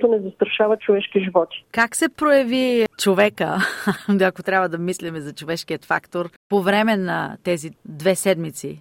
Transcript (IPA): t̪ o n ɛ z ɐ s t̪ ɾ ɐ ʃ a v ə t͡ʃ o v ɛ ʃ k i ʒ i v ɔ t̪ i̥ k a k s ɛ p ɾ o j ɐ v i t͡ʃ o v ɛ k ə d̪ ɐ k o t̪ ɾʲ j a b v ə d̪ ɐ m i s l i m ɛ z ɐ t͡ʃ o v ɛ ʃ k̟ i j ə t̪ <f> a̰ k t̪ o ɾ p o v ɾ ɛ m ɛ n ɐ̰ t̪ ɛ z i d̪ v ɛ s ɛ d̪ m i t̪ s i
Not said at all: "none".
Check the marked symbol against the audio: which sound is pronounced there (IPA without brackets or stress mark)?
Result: f